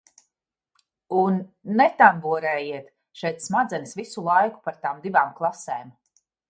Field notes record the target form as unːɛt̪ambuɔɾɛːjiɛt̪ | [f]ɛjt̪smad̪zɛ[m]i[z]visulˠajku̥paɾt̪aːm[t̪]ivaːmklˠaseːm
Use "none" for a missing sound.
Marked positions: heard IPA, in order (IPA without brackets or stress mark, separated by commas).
ʃ, n, s, d̪